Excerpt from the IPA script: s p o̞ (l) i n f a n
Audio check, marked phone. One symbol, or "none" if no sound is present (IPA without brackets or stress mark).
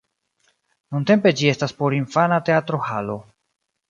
ɾ